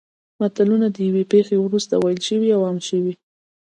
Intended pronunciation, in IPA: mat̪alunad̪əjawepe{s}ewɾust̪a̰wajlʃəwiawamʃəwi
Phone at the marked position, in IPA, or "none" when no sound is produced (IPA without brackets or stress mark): x